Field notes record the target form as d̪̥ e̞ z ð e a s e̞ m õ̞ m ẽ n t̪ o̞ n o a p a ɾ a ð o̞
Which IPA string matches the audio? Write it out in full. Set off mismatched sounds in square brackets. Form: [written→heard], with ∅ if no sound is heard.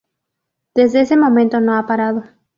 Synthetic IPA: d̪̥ e̞ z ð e [a→e] s e̞ m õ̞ m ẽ n t̪ o̞ n o a p a ɾ a ð o̞